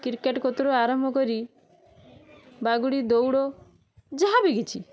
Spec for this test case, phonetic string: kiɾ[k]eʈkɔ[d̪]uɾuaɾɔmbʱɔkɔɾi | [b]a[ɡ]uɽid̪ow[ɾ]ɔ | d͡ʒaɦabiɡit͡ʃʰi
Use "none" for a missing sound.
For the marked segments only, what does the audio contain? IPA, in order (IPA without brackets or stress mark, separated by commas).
k, t̪, b, ɡ, ɽ